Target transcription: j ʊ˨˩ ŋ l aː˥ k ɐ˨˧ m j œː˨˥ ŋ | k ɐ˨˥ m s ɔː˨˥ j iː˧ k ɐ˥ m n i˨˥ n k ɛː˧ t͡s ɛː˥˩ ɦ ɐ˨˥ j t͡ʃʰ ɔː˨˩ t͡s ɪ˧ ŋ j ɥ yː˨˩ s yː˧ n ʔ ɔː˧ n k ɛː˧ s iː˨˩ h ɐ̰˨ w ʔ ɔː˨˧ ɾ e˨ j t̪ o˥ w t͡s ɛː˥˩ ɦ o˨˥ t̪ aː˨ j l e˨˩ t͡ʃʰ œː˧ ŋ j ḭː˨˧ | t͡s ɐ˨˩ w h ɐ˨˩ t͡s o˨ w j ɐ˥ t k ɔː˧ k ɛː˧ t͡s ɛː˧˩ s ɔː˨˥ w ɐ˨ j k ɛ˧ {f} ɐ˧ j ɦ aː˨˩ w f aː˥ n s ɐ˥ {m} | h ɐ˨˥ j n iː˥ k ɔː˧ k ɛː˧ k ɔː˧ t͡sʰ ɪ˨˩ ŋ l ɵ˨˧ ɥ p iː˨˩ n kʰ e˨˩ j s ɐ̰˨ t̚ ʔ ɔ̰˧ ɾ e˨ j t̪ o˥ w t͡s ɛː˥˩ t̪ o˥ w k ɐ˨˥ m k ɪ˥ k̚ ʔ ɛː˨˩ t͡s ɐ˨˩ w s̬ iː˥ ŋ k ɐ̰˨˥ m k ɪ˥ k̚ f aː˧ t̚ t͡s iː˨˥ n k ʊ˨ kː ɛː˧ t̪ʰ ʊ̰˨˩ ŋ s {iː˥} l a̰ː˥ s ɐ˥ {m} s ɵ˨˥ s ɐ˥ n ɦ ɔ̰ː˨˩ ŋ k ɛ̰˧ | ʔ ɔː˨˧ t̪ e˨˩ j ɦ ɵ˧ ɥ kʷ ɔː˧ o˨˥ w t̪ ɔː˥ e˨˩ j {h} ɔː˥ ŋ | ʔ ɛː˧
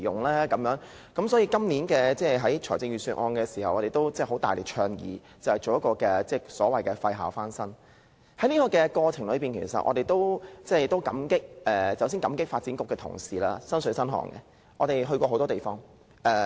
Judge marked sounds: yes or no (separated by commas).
yes, no, no, no, no